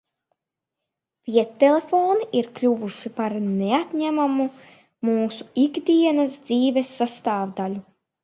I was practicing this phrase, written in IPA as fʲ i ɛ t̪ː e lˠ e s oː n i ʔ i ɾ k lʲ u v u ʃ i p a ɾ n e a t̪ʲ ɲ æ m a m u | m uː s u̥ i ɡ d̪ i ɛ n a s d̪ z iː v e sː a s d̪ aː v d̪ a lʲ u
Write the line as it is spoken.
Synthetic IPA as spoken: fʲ i ɛ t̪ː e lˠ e f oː n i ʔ i ɾ k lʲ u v u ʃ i p a ɾ n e a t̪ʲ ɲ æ m a m u | m uː s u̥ i ɡ d̪ i ɛ n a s d̪ z iː v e sː a s t̪ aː v d̪ a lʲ u